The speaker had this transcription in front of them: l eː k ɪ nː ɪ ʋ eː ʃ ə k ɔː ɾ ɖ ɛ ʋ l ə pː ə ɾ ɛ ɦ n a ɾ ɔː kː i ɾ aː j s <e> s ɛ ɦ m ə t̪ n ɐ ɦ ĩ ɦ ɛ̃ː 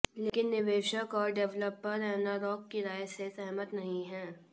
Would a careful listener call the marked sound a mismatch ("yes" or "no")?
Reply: no